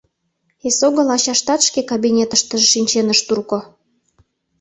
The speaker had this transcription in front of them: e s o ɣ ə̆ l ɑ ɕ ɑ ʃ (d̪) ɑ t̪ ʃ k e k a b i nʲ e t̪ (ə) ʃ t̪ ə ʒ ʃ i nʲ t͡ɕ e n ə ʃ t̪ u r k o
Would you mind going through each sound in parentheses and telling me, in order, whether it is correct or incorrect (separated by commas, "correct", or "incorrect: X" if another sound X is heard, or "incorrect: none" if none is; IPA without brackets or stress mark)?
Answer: incorrect: t̪, correct